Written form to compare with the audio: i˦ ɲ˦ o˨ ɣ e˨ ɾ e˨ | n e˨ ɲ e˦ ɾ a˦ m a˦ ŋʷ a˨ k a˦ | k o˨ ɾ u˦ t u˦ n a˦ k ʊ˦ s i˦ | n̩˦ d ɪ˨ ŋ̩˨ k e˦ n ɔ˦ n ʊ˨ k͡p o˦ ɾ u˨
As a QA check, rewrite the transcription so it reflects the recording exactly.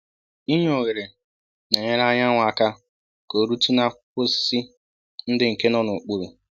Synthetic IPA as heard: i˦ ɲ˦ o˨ ɣ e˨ ɾ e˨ | n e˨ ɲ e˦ ɾ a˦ ɲ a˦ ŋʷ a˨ k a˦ | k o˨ ɾ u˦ t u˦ n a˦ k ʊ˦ s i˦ | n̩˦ d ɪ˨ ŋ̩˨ k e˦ n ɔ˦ n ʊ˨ k͡p u˦ ɾ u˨